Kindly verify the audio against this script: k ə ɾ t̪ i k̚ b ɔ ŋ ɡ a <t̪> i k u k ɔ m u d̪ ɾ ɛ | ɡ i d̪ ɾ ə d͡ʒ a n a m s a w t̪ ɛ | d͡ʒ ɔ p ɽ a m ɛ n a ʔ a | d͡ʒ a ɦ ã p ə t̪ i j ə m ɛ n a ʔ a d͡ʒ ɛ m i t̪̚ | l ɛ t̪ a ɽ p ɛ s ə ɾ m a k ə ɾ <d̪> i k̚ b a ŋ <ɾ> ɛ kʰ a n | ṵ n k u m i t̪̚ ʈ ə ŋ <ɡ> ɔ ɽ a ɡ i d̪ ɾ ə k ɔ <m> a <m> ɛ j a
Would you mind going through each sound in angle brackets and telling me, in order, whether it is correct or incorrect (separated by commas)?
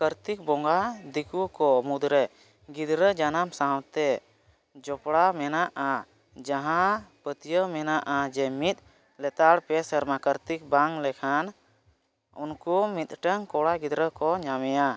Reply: incorrect, incorrect, incorrect, incorrect, incorrect, correct